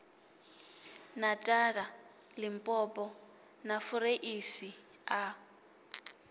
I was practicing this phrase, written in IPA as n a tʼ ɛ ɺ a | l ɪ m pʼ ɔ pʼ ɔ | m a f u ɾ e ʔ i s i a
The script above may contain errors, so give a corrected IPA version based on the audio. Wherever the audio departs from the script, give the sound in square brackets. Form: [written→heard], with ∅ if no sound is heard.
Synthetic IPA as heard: n a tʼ [ɛ→a] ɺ a | l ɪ m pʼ ɔ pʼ ɔ | [m→n] a f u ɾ e ʔ i s i a